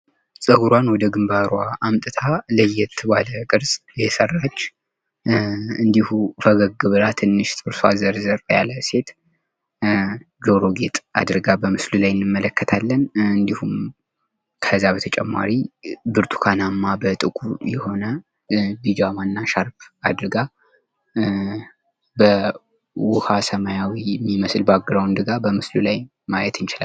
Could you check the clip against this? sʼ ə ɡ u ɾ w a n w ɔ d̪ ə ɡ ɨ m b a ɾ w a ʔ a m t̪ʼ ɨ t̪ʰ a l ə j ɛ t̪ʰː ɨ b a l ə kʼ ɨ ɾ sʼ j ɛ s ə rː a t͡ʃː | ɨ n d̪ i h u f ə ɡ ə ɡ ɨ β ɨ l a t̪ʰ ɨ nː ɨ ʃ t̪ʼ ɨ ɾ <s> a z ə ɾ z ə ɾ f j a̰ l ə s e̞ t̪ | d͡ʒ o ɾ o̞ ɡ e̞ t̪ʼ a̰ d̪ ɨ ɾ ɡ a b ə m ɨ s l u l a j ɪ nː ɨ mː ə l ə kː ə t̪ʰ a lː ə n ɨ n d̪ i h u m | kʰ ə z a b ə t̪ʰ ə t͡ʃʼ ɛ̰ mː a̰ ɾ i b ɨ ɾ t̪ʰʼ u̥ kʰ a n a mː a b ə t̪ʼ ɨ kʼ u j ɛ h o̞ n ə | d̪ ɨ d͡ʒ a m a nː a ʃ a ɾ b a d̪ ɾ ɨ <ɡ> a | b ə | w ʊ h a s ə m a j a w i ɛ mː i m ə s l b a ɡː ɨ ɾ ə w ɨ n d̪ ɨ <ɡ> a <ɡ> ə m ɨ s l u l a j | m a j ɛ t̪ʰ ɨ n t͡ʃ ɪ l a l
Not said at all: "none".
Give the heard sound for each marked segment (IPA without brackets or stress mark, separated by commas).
s, ɡ, ɡ, b